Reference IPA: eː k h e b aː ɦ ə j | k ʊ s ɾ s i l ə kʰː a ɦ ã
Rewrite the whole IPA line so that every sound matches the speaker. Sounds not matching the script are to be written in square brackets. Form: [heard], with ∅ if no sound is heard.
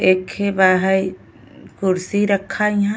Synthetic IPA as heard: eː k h e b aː ɦ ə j | k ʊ [∅] ɾ s i [ɾ] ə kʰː a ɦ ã